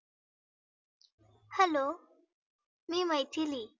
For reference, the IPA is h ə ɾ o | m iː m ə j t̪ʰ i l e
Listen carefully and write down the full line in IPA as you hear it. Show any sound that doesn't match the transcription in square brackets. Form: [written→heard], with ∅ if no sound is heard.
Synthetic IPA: h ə [ɾ→l] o | m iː m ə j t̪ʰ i l [e→i]